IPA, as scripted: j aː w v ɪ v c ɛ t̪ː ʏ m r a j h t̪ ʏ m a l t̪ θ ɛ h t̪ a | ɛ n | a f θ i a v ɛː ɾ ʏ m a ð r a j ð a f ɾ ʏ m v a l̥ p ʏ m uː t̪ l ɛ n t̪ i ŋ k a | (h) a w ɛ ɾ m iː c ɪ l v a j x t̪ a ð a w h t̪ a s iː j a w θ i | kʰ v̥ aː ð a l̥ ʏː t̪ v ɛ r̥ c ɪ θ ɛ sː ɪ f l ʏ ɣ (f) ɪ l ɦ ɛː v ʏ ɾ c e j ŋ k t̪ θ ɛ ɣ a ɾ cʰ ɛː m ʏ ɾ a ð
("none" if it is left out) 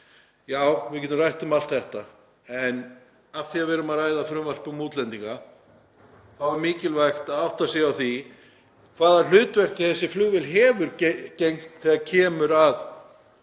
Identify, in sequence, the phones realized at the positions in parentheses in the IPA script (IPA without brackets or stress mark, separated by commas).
θ, v